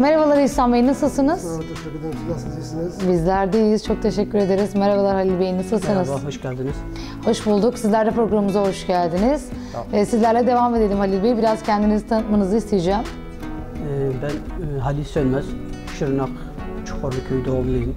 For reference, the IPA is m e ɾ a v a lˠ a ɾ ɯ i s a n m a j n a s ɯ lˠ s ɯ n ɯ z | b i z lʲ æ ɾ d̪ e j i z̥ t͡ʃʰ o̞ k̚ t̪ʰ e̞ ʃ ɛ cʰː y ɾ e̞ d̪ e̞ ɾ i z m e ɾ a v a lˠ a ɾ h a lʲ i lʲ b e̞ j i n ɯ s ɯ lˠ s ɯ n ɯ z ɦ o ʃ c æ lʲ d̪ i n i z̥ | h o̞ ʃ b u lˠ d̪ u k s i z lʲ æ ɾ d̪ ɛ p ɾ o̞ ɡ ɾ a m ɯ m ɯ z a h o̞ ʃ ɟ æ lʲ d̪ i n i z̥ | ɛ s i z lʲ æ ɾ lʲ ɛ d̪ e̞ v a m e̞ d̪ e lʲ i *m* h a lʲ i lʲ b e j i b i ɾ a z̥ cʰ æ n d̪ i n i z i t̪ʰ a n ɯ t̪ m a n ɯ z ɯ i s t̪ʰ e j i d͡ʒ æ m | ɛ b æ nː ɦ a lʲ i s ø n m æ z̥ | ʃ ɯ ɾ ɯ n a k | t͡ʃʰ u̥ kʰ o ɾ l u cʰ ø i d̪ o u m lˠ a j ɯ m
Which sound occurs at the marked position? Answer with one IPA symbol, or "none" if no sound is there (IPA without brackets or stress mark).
m